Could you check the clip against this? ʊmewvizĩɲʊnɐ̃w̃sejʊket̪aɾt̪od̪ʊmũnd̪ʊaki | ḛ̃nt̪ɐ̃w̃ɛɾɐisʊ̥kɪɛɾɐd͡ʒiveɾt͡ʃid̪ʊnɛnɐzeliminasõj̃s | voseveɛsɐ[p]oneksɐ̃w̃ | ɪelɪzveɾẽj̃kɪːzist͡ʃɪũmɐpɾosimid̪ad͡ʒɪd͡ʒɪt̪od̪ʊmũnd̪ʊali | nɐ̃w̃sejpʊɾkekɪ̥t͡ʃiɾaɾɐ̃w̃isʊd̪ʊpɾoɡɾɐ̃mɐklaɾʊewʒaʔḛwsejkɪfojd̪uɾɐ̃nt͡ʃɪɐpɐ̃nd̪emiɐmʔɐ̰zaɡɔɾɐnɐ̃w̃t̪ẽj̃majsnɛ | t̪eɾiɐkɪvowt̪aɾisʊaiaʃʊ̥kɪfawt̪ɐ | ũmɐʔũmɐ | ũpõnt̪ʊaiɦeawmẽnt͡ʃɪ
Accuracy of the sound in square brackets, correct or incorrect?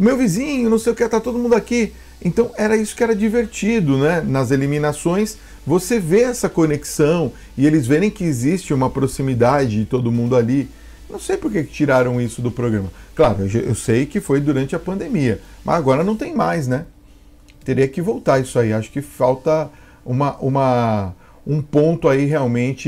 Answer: incorrect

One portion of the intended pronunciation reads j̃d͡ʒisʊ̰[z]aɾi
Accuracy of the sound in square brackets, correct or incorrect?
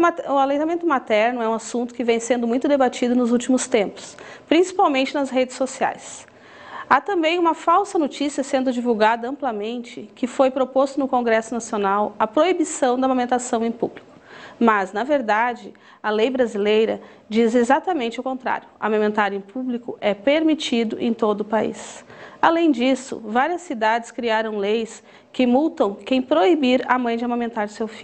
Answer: incorrect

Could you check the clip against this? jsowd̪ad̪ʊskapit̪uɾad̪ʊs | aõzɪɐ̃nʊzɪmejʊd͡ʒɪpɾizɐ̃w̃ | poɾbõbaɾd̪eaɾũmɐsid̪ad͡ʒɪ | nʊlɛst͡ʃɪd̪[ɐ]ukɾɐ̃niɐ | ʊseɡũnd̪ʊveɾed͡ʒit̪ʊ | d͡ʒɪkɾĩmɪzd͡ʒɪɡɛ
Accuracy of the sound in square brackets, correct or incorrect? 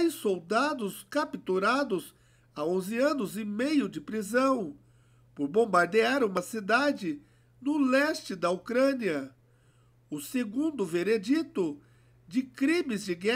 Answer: correct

